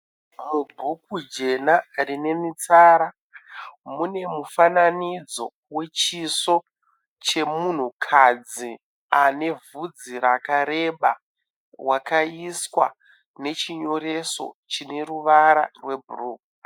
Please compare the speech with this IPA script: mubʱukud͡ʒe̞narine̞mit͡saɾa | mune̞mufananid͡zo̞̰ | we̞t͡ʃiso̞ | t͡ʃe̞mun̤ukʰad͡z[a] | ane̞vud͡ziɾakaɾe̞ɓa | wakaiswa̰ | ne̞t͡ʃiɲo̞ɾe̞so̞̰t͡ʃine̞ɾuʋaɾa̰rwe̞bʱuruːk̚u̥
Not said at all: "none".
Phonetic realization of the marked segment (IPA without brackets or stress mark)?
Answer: i